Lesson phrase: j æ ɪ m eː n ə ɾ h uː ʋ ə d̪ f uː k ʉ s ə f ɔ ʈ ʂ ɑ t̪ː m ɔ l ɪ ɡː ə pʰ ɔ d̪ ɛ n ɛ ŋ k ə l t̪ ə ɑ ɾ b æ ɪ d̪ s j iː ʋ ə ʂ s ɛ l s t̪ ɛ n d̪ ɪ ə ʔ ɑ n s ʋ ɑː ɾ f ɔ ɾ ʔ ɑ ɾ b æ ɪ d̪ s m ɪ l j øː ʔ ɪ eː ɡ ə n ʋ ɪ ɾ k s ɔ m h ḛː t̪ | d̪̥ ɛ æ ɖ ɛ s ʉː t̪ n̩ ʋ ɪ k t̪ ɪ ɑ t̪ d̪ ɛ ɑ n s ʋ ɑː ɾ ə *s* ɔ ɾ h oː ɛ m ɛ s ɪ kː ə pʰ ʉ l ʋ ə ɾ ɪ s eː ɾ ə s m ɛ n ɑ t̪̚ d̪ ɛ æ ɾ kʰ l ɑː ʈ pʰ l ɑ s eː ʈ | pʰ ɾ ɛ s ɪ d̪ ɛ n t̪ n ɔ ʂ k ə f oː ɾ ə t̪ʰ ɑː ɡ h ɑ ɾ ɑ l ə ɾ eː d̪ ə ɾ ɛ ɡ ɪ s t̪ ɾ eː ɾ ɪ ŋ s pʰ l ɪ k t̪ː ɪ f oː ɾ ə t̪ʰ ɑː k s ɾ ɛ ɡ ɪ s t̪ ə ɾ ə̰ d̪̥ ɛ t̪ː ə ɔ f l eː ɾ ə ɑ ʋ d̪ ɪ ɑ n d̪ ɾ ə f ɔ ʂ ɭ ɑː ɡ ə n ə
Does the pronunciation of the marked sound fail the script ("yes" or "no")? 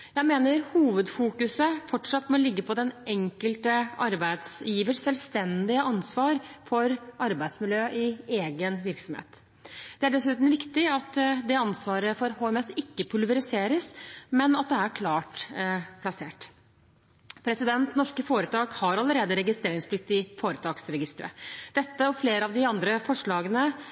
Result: yes